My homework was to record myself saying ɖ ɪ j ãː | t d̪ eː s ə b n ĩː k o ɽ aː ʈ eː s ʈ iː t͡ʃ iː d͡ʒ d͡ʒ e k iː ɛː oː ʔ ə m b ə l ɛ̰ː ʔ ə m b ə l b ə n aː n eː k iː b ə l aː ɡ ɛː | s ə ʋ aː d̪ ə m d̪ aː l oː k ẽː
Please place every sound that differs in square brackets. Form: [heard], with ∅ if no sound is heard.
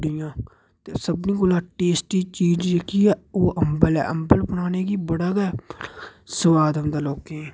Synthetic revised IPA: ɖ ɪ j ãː | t [t̪] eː s ə b n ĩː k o [l] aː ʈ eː s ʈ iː t͡ʃ iː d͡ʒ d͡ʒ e k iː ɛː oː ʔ ə m b ə l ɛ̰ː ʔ ə m b ə l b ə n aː n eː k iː b ə [ɽ] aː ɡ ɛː | s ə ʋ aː d̪ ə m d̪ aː l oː k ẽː